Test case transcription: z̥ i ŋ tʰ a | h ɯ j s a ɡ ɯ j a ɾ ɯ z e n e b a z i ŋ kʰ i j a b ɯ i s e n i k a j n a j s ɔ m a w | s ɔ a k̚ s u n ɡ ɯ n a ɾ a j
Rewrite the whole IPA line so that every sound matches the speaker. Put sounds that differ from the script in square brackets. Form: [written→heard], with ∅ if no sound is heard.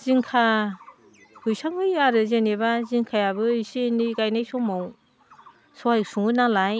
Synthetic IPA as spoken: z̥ i ŋ [tʰ→kʰ] a | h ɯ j s a [ɡ→ŋ] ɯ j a ɾ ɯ z e n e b a z i ŋ kʰ [i→a] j a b ɯ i s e n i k a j n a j s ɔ m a w | s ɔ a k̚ s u [n→ŋ] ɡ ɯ n a [ɾ→l] a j

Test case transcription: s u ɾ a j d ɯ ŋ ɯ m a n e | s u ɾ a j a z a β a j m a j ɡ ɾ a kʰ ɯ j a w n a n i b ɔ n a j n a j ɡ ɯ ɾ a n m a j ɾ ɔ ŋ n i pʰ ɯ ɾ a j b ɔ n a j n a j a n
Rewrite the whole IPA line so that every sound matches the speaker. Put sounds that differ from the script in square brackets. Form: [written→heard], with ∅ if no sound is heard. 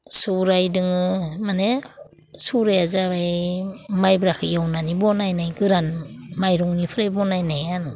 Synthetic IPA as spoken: s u ɾ a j d ɯ ŋ ɯ m a n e | s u ɾ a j a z a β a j m a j [ɡ→b] ɾ a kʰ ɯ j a w n a n i b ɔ n a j n a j ɡ ɯ ɾ a n m a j ɾ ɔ ŋ n i pʰ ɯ ɾ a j b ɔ n a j n a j a n

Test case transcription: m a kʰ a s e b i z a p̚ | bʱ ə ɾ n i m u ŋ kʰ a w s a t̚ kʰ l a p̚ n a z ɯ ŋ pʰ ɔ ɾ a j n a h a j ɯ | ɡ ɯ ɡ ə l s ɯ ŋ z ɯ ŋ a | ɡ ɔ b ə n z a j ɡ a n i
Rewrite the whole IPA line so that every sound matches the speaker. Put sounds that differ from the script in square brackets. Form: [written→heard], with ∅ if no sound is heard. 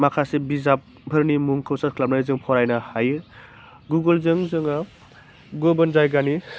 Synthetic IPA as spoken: m a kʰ a s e b i z a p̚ | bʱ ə ɾ n i m u ŋ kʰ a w s a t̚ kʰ l a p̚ n a z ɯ ŋ pʰ ɔ ɾ a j n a h a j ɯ | ɡ [ɯ→u] ɡ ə l [s→z] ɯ ŋ z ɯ ŋ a | ɡ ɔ b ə n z a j ɡ a n i

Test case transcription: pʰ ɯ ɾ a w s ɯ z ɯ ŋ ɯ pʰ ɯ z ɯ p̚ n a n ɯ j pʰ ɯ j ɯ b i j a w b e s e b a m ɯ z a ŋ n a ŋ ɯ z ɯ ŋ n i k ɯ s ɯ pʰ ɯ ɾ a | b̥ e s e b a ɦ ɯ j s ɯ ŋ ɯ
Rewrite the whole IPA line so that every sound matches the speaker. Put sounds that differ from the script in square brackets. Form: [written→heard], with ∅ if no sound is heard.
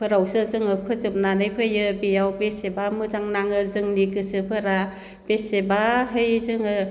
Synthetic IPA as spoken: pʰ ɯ ɾ a w s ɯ z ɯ ŋ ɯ pʰ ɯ z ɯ p̚ n a n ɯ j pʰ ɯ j ɯ b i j a w b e s e b a m ɯ z a ŋ n a ŋ ɯ z ɯ ŋ n i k ɯ s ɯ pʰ ɯ ɾ a | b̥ e s e b a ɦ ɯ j [s→z] ɯ ŋ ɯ

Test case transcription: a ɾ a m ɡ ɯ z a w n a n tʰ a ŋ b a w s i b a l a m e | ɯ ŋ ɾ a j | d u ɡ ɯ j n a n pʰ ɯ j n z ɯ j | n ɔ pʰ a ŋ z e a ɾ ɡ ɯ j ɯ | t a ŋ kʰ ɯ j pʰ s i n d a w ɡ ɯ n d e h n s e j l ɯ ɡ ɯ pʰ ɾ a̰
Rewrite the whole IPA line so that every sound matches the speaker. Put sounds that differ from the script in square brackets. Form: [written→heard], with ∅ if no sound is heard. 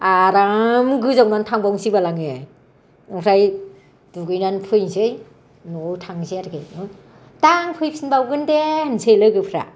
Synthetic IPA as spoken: a ɾ a m ɡ ɯ z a w n a n tʰ a ŋ b a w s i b a l a [m→ŋ] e | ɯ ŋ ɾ a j | d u ɡ ɯ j n a n pʰ ɯ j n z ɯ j | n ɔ [pʰ→tʰ] a ŋ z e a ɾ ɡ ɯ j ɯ | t a ŋ [kʰ→pʰ] ɯ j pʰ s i n [d→b] a w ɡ ɯ n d e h n s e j l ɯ ɡ ɯ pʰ ɾ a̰

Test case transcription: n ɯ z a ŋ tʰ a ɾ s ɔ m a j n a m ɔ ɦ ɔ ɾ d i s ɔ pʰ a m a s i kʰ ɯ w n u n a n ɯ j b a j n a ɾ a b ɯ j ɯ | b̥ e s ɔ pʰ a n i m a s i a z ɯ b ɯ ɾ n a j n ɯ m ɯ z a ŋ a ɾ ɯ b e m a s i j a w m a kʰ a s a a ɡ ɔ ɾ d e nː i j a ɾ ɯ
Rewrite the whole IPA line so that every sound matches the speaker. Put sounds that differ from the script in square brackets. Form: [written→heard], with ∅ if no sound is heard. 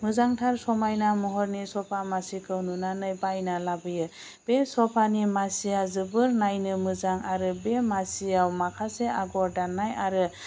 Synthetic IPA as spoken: [n→m] ɯ z a ŋ tʰ a ɾ s ɔ m a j n a m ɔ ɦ ɔ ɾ [d→n] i s ɔ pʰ a m a s i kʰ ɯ w n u n a n ɯ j b a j n a [ɾ→l] a b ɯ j ɯ | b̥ e s ɔ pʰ a n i m a s i a z ɯ b ɯ ɾ n a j n ɯ m ɯ z a ŋ a ɾ ɯ b e m a s i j a w m a kʰ a s [a→e] a ɡ ɔ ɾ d [e→a] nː [i→a] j a ɾ ɯ

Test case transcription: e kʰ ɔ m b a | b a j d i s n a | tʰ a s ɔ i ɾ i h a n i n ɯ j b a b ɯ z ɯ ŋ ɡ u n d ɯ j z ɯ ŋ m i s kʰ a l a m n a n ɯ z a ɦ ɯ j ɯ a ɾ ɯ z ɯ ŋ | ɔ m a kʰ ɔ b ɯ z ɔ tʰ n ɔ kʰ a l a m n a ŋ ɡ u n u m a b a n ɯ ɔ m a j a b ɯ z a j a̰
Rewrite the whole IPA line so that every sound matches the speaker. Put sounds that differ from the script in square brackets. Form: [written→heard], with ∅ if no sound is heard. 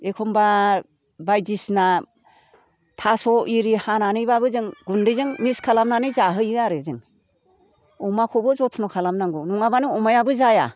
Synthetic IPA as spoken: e kʰ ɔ m b a | b a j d i s n a | tʰ a s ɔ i ɾ i h a n [i→a] n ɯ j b a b ɯ z ɯ ŋ ɡ u n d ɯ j z ɯ ŋ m i s kʰ a l a m n a n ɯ z a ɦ ɯ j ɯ a ɾ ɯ z ɯ ŋ | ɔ m a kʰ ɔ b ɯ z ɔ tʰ n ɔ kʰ a l a m n a ŋ ɡ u n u [m→ŋ] a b a n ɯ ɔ m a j a b ɯ z a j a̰

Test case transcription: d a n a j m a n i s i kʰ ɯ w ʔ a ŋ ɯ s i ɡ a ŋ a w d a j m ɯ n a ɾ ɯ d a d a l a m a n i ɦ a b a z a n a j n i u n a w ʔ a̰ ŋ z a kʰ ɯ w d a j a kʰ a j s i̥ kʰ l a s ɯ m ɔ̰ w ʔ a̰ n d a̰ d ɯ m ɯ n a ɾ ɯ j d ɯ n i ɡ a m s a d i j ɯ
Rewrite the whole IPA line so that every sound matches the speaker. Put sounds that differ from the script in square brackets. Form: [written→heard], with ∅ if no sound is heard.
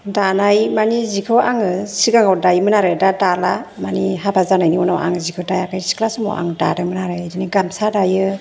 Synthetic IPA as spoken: d a n a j m a n i [s→z] i kʰ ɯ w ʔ a ŋ ɯ s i ɡ a ŋ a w d a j m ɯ n a ɾ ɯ d a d a l a m a n i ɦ a b a z a n a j n i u n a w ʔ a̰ ŋ z [a→i] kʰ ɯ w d a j a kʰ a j s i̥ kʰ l a s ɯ m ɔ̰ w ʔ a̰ [n→ŋ] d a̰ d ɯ m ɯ n a ɾ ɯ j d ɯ n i ɡ a m s a d [i→a] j ɯ

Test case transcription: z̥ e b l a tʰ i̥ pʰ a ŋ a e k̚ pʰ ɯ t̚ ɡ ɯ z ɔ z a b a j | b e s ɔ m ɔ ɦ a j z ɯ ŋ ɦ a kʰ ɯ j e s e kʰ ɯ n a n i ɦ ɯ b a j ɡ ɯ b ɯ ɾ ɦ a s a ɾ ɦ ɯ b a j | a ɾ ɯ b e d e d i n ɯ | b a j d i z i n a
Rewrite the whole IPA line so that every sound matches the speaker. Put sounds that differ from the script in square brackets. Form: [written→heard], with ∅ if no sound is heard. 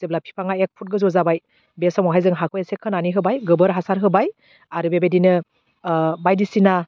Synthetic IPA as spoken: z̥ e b l a [tʰ→pʰ] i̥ pʰ a ŋ a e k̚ pʰ [ɯ→u] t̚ ɡ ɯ z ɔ z a b a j | b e s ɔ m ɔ ɦ a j z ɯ ŋ ɦ a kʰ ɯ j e s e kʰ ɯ n a n i ɦ ɯ b a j ɡ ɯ b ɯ ɾ ɦ a s a ɾ ɦ ɯ b a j | a ɾ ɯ b e [d→b] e d i n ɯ | b a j d i [z→s] i n a

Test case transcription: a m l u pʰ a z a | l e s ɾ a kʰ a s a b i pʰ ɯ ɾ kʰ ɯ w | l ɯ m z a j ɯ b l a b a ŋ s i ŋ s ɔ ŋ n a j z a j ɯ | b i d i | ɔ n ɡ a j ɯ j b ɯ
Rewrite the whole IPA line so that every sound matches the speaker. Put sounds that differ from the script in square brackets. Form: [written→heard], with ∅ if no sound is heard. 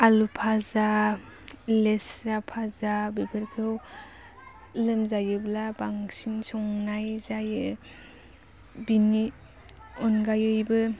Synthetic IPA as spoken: a [m→∅] l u pʰ a z a | l e s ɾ a [kʰ→pʰ] a [s→z] a b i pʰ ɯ ɾ kʰ ɯ w | l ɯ m z a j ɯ b l a b a ŋ s i [ŋ→n] s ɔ ŋ n a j z a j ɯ | b i [d→n] i | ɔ n ɡ a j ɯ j b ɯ

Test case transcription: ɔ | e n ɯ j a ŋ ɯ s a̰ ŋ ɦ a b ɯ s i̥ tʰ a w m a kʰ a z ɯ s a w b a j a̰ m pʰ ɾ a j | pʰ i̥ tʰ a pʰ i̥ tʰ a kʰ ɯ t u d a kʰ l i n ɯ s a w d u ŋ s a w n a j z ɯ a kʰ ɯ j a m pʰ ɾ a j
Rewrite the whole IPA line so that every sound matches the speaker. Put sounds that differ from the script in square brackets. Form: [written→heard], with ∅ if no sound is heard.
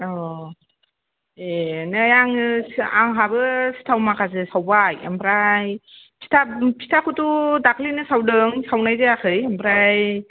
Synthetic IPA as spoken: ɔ | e n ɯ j a ŋ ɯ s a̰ ŋ ɦ a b ɯ s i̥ tʰ a w m a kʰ a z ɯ s a w b a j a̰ m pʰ ɾ a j | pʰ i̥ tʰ a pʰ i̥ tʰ a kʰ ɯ t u d a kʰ l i n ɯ s a w d [u→ɯ] ŋ s a w n a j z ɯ a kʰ ɯ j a m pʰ ɾ a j

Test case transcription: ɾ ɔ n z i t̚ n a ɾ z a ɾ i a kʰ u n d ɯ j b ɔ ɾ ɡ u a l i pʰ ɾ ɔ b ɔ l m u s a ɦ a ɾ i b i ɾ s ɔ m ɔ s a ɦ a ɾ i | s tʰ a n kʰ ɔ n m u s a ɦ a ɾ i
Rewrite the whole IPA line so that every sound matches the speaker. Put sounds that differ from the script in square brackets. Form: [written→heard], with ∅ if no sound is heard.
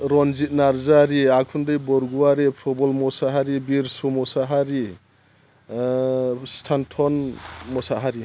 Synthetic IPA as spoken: ɾ ɔ n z i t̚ n a ɾ z a ɾ i a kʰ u n d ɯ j b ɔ ɾ ɡ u a [l→ɾ] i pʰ ɾ ɔ b ɔ l m [u→ɔ] s a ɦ a ɾ i b i ɾ s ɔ m ɔ s a ɦ a ɾ i | s tʰ a n [kʰ→tʰ] ɔ n m [u→ɔ] s a ɦ a ɾ i

